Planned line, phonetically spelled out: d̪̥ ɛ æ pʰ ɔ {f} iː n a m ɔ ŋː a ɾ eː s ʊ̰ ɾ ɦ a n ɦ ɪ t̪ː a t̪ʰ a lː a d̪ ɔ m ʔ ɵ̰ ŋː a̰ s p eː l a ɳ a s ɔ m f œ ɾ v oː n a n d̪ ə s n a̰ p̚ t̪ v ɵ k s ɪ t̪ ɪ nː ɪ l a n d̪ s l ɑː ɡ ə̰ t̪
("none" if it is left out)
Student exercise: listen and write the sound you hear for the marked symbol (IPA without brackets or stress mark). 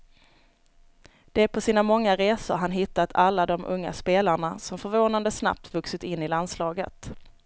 s